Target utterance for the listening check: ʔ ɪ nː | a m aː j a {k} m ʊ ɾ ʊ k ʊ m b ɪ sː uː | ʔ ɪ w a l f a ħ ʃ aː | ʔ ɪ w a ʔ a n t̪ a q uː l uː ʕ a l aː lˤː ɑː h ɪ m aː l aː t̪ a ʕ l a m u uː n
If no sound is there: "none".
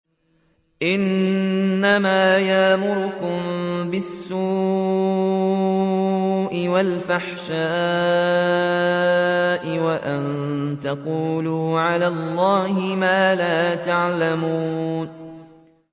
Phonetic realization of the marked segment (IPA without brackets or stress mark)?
ʔ